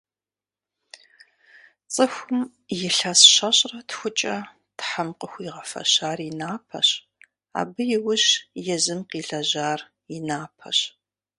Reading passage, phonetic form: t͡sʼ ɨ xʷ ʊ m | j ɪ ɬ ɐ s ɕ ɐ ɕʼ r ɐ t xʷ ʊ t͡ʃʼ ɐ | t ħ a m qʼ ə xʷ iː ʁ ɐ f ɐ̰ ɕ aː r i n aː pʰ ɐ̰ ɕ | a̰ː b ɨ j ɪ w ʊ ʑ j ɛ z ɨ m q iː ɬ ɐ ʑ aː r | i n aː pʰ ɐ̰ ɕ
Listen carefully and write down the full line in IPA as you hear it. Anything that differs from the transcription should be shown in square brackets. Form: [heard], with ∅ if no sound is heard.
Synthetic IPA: t͡sʼ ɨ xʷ ʊ m | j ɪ ɬ ɐ s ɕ ɐ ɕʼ r ɐ t xʷ ʊ t͡ʃʼ ɐ | t ħ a m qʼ ə xʷ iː ʁ ɐ f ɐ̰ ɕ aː r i n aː pʰ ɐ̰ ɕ | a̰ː b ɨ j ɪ w ʊ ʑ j ɛ z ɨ m q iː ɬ ɐ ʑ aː r | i n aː pʰ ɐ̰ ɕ